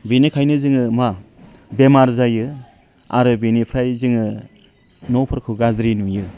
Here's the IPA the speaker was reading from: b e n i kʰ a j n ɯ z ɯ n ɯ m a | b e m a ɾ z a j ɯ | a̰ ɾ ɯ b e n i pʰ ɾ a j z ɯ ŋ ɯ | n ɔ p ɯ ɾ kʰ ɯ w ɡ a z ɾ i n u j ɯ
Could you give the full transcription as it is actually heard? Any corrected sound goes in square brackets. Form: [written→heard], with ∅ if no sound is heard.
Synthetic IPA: b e n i kʰ a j n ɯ z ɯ [n→ŋ] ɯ m a | b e m a ɾ z a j ɯ | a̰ ɾ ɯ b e n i pʰ ɾ a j z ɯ ŋ ɯ | n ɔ [p→pʰ] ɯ ɾ kʰ ɯ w ɡ a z ɾ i n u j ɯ